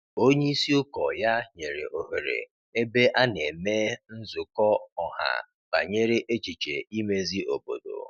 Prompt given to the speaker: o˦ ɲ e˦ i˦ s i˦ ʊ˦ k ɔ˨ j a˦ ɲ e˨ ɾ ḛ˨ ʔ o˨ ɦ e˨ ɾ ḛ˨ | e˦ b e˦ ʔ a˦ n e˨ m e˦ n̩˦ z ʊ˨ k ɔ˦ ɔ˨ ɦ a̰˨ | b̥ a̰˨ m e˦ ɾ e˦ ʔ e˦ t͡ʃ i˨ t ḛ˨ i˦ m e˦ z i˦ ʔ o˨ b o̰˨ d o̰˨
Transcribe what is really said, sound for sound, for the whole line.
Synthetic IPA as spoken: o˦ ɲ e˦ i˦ s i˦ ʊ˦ k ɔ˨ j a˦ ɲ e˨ ɾ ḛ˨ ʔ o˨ ɦ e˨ ɾ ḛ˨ | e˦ b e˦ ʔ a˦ n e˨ m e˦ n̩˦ z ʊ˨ k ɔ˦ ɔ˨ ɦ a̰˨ | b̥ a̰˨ ɲ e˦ ɾ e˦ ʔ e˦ t͡ʃ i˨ t͡ʃ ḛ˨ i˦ m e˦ z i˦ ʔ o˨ b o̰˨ d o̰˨